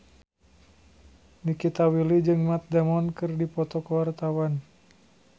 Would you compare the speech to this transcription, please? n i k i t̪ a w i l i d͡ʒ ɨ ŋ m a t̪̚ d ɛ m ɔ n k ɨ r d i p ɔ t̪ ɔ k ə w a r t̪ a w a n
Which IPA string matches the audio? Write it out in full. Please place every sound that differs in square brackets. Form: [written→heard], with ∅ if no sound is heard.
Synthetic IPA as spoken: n i k i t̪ a w i l i d͡ʒ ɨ ŋ m a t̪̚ d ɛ m ɔ n k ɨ r d i p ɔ t̪ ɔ k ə w a r t̪ a w a n